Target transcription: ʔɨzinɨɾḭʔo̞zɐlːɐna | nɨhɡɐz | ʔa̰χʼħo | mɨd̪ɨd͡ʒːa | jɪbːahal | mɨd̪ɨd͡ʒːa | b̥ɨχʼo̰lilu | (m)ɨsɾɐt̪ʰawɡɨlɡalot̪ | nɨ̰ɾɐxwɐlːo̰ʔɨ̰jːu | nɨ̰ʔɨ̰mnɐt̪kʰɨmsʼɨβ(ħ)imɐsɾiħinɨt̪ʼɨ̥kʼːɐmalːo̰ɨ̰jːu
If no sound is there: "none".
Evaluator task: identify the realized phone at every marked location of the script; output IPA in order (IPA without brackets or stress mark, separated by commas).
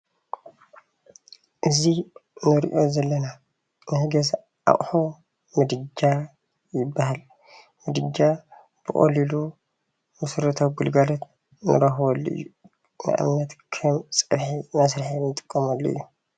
m, ħ